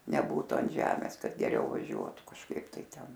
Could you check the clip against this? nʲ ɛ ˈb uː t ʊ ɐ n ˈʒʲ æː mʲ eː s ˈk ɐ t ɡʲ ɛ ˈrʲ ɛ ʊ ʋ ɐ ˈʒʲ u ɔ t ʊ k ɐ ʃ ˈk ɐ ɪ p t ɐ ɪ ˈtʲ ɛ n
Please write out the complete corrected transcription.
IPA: nʲ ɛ ˈb uː t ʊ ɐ n ˈʒʲ æː mʲ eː s ˈk ɐ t ɡʲ ɛ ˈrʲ ɛ ʊ ʋ ɐ ˈʒʲ u ɔ t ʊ k ɐ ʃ ˈk ɐ ɪ p t ɐ ɪ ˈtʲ ɛ n

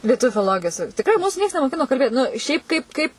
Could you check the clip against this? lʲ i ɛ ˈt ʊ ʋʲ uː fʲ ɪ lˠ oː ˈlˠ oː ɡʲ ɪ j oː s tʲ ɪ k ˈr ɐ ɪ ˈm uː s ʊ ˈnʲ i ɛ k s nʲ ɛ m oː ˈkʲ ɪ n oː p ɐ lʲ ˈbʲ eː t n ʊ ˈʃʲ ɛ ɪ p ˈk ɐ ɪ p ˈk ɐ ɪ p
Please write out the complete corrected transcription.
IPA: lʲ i ɛ ˈt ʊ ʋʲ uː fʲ ɪ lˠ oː ˈlˠ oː ɡʲ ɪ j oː s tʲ ɪ k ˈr ɐ ɪ ˈm uː s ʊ ˈnʲ i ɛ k s nʲ ɛ m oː ˈkʲ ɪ n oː k ɐ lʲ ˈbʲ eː t n ʊ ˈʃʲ ɛ ɪ p ˈk ɐ ɪ p ˈk ɐ ɪ p

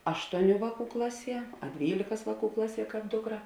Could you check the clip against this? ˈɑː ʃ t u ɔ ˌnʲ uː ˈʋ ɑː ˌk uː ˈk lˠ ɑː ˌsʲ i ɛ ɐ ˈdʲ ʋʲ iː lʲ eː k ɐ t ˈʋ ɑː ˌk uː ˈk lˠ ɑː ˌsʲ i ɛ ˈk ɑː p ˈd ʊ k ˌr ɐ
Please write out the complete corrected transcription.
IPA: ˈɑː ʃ t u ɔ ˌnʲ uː ˈʋ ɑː ˌk uː ˈk lˠ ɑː ˌsʲ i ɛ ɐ ˈdʲ ʋʲ iː lʲ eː k ɐ s ˈʋ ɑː ˌk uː ˈk lˠ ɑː ˌsʲ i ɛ ˈk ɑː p ˈd ʊ k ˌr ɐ

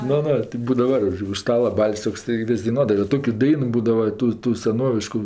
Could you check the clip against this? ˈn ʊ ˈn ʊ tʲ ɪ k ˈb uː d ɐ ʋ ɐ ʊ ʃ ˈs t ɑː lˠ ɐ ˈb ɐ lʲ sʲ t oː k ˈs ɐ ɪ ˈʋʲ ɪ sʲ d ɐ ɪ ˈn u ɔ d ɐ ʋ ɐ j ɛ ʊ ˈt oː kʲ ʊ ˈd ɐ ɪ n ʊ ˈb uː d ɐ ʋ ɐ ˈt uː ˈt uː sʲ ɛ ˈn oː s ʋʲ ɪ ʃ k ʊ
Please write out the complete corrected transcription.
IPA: ˈn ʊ ˈn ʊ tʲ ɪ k ˈb uː d ɐ ʋ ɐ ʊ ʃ ˈs t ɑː lˠ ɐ ˈb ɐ lʲ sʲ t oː k ˈs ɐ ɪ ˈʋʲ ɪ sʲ d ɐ ɪ ˈn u ɔ d ɐ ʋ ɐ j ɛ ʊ ˈt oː kʲ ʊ ˈd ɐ ɪ n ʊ ˈb uː d ɐ ʋ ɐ ˈt uː ˈt uː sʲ ɛ ˈn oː ʋʲ ɪ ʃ k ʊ

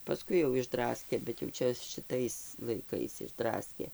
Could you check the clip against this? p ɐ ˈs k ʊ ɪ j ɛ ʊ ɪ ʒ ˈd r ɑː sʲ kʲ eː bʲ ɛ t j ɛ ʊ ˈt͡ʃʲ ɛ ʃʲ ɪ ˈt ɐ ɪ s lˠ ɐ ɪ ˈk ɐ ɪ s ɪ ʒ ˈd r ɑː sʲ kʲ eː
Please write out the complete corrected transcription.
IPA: p ɐ ˈs k ʊ ɪ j ɛ ʊ ɪ ʒ ˈd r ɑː sʲ kʲ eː bʲ ɛ t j ɛ ʊ ˈt͡ʃʲ ɛ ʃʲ ɪ ˈt ɐ ɪ s lˠ ɐ ɪ ˈk ɐ ɪ s ɪ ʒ ˈd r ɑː sʲ kʲ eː

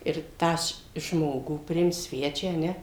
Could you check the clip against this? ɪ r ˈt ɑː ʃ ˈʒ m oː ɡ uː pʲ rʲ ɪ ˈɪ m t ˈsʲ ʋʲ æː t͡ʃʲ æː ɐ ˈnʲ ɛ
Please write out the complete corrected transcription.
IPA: ɪ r ˈt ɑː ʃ ˈʒ m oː ɡ uː pʲ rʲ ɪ ˈɪ m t ˈsʲ ʋʲ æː t͡ʃʲ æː ɐ ˈnʲ ɛ

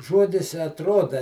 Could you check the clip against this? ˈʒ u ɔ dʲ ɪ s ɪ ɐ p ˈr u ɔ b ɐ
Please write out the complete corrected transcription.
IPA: ˈʒ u ɔ dʲ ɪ s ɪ ɐ t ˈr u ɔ d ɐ

